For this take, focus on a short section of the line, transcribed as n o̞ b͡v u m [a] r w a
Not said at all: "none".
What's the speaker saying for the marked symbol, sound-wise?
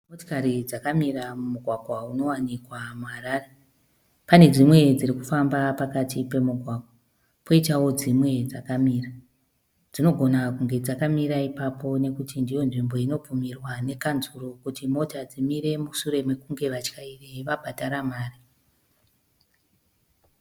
i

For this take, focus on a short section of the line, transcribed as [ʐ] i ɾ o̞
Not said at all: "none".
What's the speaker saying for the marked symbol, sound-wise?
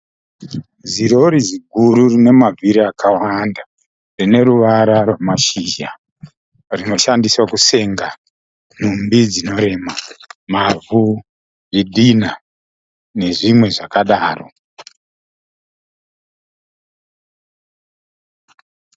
z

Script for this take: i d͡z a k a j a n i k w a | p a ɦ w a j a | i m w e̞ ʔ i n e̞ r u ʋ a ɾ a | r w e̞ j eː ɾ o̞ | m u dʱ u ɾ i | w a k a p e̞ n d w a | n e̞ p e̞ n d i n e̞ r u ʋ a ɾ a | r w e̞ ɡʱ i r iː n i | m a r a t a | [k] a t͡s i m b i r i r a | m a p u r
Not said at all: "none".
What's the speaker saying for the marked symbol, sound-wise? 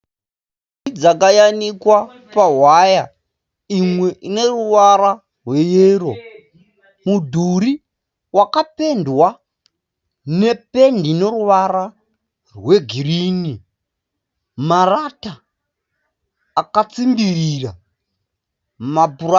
k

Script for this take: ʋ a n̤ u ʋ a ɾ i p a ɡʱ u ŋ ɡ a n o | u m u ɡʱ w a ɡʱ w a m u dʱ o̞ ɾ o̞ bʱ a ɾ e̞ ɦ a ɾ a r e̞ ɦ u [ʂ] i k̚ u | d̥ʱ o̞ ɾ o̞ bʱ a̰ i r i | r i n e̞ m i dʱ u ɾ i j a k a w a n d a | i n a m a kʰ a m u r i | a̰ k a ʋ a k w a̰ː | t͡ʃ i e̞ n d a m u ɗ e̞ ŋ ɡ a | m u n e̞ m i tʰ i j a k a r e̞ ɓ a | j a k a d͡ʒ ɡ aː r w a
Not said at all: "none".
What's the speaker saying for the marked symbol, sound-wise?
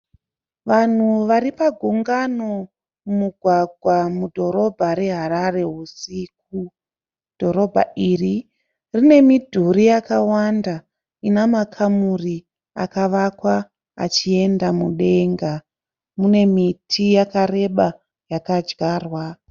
s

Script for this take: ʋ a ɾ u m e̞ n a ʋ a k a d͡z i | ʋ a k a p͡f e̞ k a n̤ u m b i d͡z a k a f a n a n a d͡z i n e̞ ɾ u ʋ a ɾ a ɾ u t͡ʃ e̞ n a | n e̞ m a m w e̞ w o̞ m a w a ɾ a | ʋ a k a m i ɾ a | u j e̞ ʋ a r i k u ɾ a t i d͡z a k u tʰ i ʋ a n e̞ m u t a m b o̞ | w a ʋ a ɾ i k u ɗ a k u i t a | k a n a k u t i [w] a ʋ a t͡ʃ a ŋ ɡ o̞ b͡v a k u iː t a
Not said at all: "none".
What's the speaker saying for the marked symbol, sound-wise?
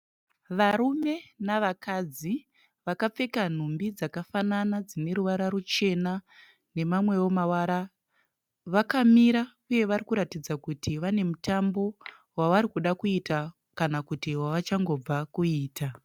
w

